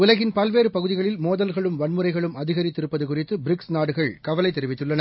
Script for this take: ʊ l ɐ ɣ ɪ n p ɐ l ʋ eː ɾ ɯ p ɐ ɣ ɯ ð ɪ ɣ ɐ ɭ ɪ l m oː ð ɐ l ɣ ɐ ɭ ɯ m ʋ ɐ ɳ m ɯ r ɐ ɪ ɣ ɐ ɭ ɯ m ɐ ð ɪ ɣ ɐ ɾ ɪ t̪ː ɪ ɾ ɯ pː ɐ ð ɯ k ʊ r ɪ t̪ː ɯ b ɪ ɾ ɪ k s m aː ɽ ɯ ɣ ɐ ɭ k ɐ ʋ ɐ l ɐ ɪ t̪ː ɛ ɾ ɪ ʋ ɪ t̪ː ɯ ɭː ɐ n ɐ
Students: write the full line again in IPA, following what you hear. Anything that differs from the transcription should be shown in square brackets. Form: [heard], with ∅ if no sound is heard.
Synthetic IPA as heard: ʊ l ɐ ɣ ɪ n p ɐ l ʋ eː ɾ ɯ p ɐ ɣ ɯ ð ɪ ɣ ɐ ɭ ɪ l m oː ð ɐ l ɣ ɐ ɭ ɯ m ʋ ɐ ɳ m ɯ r ɐ ɪ ɣ ɐ ɭ ɯ m ɐ ð ɪ ɣ ɐ ɾ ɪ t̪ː ɪ ɾ ɯ pː ɐ ð ɯ k ʊ r ɪ t̪ː ɯ b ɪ ɾ ɪ k s [n] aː ɽ ɯ ɣ ɐ ɭ k ɐ ʋ ɐ l ɐ ɪ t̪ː ɛ ɾ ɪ ʋ ɪ t̪ː ɯ ɭː ɐ n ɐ